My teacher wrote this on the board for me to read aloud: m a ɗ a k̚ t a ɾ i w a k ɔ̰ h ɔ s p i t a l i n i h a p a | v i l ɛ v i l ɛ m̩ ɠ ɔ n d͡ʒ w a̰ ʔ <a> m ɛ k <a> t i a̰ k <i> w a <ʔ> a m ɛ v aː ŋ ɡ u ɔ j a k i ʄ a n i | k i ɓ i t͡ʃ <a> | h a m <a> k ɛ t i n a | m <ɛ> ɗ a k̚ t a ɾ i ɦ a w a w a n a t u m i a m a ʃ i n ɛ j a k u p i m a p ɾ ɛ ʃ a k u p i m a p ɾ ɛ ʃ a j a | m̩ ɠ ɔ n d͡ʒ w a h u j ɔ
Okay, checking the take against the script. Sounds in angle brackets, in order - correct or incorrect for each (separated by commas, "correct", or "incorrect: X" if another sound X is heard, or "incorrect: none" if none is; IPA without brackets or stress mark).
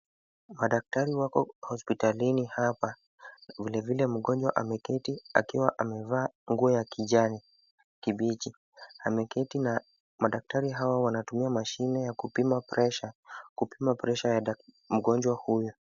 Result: correct, incorrect: ɛ, correct, correct, incorrect: i, incorrect: ɛ, incorrect: a